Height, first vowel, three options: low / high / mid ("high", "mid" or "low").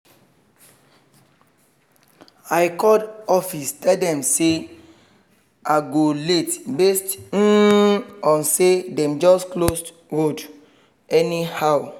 low